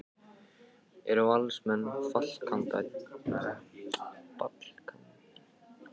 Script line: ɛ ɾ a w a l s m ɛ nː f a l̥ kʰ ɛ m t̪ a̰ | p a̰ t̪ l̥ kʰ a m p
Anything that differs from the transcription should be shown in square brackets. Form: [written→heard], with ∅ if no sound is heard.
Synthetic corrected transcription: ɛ ɾ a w a l s m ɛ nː f a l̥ kʰ [ɛ→a] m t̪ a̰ | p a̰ t̪ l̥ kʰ a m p

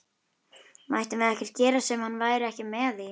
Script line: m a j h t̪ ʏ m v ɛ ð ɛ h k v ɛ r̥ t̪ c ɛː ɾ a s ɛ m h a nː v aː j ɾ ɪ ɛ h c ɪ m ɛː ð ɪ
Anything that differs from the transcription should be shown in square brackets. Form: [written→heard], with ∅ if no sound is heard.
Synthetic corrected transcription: m a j h t̪ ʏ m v ɛ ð ɛ h [k→c] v ɛ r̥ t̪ c ɛː ɾ a s ɛ m h a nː v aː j ɾ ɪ ɛ h c ɪ m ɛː ð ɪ

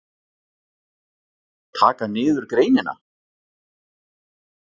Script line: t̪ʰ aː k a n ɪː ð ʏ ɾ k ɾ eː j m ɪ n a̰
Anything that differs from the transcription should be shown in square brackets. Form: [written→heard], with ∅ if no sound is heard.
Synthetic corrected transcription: t̪ʰ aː k a n ɪː ð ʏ ɾ k ɾ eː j [m→n] ɪ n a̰

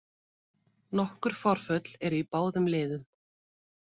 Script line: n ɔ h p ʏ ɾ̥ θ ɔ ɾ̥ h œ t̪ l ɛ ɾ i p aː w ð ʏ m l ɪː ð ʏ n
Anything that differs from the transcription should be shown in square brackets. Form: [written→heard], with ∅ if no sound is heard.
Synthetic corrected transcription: n ɔ h [p→k] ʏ ɾ̥ [θ→f] ɔ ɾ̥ [h→f] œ t̪ l ɛ ɾ i p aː w ð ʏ m l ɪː ð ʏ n

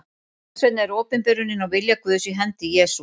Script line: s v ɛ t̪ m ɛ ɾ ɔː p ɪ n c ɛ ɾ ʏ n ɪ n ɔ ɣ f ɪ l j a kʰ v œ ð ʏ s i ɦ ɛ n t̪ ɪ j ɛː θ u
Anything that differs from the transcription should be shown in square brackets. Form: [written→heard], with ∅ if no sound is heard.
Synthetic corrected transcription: s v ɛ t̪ [m→n] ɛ ɾ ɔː p ɪ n [c→p] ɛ ɾ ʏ n ɪ n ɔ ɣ [f→v] ɪ l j a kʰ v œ ð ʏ s i ɦ ɛ n t̪ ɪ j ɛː [θ→s] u

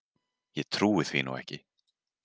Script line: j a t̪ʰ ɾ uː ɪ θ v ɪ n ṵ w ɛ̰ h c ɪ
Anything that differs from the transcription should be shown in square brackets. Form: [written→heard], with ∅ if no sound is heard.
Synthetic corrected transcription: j [a→ɛ] t̪ʰ ɾ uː ɪ θ v [ɪ→i] n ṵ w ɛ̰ h c ɪ

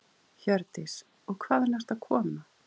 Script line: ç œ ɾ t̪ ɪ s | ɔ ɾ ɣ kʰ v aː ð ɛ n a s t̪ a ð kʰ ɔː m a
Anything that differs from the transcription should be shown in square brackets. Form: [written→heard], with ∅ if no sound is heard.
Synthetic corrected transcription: ç œ ɾ t̪ ɪ s | ɔ [ɾ→∅] ɣ kʰ v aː ð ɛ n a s t̪ a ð kʰ ɔː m a

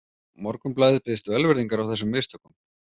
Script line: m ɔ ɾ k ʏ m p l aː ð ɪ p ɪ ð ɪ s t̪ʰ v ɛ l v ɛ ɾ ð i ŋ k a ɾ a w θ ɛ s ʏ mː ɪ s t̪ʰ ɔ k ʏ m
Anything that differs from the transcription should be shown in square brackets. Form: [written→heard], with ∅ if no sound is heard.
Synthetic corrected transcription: m ɔ ɾ k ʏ m p l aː ð ɪ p ɪ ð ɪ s [t̪ʰ→t̪] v ɛ l v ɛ ɾ ð i ŋ k a ɾ a w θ ɛ s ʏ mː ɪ s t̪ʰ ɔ k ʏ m

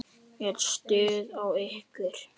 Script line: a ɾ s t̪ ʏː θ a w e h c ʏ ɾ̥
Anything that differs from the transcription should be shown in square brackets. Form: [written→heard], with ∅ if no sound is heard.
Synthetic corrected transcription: [a→ɛ] ɾ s t̪ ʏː [θ→ð] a w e h [c→k] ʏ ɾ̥

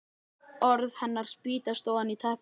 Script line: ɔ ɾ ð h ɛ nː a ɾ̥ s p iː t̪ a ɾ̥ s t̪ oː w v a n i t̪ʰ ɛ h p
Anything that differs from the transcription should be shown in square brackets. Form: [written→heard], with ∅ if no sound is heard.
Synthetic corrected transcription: ɔ ɾ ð h ɛ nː a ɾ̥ s p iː t̪ a [ɾ̥→∅] s t̪ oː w [v→ð] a n i t̪ʰ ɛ h p

